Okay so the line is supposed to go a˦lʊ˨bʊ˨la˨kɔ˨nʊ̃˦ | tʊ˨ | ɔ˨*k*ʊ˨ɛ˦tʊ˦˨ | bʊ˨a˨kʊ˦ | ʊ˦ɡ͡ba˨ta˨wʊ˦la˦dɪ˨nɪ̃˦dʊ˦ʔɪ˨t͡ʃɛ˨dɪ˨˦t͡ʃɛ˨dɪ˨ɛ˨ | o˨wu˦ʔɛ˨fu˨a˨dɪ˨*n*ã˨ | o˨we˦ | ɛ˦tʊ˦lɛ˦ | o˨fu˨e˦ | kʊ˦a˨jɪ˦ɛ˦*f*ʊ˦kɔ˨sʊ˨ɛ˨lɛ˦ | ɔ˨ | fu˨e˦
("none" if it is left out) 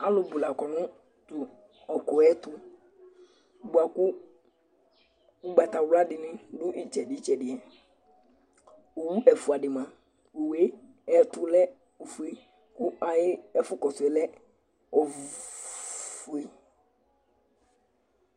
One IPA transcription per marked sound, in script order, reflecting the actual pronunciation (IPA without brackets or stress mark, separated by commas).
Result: k, m, f